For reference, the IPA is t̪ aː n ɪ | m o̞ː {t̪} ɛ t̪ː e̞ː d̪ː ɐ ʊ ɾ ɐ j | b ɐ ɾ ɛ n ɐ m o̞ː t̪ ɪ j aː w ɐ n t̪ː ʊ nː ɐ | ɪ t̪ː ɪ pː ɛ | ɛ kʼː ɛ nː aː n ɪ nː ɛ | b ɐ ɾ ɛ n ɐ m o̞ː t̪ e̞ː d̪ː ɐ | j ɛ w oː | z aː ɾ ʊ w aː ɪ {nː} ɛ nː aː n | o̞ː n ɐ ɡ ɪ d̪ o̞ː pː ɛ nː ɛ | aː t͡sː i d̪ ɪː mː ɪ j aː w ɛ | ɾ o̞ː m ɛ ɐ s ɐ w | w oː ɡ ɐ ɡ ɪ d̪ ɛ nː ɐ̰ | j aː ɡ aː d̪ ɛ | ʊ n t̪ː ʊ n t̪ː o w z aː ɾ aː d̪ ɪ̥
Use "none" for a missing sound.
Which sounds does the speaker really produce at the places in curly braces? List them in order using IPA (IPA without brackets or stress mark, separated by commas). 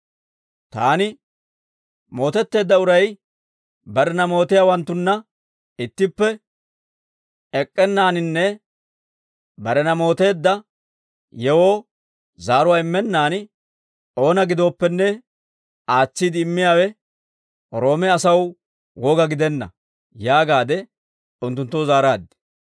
t̪, mː